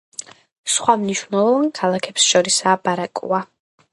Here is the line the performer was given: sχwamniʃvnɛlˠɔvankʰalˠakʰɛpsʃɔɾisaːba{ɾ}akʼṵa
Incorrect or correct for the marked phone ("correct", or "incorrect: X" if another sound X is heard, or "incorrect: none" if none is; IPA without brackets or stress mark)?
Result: correct